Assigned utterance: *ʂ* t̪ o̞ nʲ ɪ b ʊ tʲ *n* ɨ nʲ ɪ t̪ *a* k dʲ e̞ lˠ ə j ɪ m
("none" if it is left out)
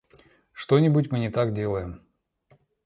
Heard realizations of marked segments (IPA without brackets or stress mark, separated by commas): ʂ, m, a